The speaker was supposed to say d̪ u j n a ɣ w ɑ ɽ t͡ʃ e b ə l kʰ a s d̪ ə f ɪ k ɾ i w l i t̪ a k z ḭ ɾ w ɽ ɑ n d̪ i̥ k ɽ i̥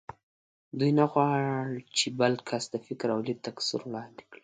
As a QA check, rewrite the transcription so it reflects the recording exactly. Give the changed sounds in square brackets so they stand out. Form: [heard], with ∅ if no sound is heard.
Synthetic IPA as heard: d̪ u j n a ɣ w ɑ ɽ t͡ʃ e b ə l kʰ a s d̪ ə f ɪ k ɾ [a] w l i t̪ a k [s] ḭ ɾ w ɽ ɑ n d̪ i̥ k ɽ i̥

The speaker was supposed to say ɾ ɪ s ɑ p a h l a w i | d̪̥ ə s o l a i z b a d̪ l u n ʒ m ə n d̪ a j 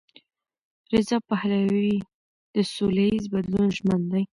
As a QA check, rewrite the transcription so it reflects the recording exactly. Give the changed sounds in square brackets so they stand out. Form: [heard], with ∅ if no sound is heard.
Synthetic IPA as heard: ɾ ɪ [z] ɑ p a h l a w i | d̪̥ ə s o l a i z b a d̪ l u n ʒ m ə n d̪ a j

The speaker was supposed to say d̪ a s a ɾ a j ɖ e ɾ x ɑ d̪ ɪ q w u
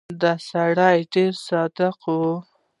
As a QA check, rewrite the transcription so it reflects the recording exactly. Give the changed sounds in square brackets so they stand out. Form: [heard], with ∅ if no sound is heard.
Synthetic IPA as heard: d̪ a s a [ɽ] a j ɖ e ɾ [s] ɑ d̪ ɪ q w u

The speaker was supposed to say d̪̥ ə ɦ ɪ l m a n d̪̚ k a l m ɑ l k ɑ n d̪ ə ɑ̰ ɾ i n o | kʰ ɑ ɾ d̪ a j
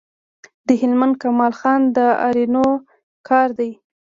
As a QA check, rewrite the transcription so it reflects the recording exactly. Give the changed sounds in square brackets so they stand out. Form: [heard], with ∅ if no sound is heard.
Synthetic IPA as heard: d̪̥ ə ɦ ɪ l m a n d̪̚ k a [∅] m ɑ l [x] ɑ n d̪ ə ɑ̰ ɾ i n o | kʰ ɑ ɾ d̪ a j

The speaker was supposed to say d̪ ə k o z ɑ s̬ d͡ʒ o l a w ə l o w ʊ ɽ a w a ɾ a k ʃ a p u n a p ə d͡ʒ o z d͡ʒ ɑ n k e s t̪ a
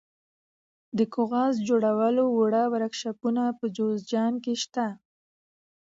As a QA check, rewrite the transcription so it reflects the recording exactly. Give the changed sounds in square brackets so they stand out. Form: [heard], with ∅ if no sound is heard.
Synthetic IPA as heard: d̪ ə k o [ɣ] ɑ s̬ d͡ʒ o [ɽ] a w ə l o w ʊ ɽ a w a ɾ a k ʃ a p u n a p ə d͡ʒ o z d͡ʒ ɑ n k e [ʃ] t̪ a

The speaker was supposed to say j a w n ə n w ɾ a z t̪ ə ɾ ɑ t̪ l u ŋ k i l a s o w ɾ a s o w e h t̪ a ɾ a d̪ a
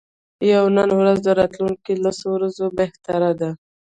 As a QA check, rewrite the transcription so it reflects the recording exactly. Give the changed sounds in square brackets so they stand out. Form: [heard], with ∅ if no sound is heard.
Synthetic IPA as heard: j a w n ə n w ɾ a z [d̪] ə ɾ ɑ t̪ l u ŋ k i l a s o w ɾ a [z] o [b] e h t̪ a ɾ a d̪ a

